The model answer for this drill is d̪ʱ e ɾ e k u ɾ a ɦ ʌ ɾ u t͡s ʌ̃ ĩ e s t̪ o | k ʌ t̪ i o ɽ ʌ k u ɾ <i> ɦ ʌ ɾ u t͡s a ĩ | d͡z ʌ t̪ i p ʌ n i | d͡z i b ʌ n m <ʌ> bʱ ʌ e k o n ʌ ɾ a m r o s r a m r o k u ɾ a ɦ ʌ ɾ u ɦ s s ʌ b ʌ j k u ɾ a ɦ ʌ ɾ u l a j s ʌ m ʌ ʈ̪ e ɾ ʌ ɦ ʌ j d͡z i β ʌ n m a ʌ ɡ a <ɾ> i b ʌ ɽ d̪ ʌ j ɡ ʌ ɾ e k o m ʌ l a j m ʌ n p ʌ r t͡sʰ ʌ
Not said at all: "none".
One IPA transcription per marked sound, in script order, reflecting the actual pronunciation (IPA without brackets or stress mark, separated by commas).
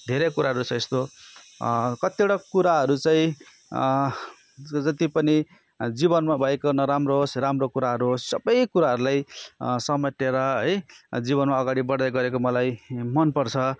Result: a, a, ɽ